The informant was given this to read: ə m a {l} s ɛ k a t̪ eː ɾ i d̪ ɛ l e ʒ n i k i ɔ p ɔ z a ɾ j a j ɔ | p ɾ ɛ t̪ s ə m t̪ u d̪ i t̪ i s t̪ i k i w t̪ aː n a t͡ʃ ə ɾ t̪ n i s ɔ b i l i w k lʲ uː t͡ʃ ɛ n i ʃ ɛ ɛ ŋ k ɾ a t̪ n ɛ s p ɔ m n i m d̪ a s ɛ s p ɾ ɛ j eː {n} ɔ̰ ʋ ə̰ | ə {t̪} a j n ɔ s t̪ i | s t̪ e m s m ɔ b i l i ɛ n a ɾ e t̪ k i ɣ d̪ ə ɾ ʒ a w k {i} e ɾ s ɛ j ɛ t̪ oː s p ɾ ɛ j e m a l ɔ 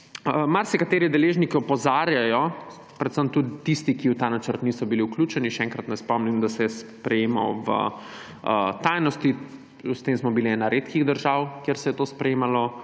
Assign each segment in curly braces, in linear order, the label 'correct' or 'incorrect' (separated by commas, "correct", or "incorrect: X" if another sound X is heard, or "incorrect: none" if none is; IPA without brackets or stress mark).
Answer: incorrect: ɾ, incorrect: m, correct, incorrect: j